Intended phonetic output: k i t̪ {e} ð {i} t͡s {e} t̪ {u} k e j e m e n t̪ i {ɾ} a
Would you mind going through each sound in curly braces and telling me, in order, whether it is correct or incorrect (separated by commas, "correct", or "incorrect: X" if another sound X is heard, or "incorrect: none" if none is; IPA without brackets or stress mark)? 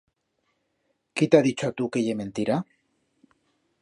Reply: incorrect: a, correct, incorrect: a, correct, correct